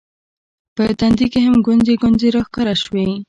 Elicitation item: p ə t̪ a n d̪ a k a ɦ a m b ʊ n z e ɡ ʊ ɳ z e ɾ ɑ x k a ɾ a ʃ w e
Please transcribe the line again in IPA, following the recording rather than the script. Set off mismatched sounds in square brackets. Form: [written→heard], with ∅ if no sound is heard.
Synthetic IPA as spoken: p ə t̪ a n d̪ [a→i] k [a→e] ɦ a m [b→ɡ] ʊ n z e ɡ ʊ [ɳ→n] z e ɾ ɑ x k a ɾ a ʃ w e